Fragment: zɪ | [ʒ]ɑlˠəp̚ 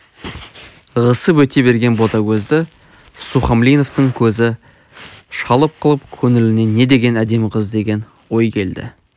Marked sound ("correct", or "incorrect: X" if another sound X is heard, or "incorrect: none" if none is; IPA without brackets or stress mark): incorrect: ʃ